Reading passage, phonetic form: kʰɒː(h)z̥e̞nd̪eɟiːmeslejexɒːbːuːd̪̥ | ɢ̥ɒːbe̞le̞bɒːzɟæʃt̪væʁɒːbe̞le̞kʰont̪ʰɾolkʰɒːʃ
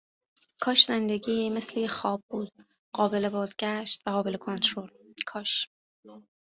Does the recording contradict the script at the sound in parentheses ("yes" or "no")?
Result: yes